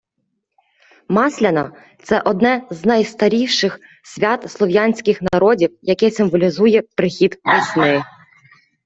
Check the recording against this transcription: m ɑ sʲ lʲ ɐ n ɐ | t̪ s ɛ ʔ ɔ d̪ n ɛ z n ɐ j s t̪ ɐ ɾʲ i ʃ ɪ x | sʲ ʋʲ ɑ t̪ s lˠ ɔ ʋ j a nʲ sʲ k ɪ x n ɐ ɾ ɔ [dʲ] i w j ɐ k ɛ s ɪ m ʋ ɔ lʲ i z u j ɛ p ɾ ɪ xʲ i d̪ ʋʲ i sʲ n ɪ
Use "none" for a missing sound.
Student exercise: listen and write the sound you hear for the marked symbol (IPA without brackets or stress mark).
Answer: dʲ